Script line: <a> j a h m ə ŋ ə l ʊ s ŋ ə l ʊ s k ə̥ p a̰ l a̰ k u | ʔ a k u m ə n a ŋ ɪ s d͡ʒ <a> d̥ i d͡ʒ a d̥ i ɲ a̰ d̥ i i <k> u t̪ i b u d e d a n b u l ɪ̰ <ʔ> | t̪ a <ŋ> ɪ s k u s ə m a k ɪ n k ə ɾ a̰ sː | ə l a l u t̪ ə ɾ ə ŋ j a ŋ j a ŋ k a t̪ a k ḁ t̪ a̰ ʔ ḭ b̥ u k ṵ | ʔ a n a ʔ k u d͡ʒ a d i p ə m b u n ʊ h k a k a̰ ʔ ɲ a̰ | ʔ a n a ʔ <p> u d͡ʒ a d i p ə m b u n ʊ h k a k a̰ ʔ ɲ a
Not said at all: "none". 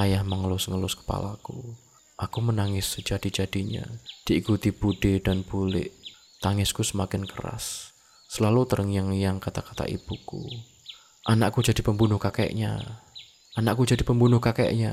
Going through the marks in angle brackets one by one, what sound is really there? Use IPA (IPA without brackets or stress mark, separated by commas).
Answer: a, a, k, ʔ, ŋ, k